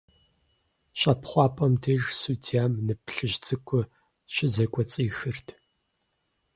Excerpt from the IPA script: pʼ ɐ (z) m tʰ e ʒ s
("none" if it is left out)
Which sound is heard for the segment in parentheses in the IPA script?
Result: none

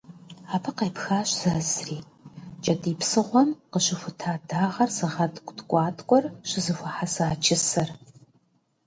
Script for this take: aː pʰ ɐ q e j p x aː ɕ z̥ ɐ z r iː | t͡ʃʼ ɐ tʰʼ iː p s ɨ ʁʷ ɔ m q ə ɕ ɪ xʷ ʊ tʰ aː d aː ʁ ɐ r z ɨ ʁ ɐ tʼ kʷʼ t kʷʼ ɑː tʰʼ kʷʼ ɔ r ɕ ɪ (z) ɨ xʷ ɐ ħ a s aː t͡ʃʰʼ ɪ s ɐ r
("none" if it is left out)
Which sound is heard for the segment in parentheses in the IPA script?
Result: z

